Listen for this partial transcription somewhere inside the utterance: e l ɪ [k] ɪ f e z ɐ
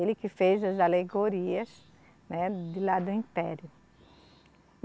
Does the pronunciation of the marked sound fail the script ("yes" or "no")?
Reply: no